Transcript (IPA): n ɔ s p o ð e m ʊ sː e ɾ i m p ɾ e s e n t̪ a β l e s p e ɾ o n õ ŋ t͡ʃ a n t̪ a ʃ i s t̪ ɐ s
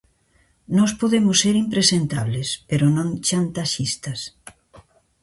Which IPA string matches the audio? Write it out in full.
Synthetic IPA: n ɔ s p o ð e m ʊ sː e ɾ i m p ɾ e s e n t̪ a β l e s p e ɾ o n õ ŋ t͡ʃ a n t̪ a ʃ i s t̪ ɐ s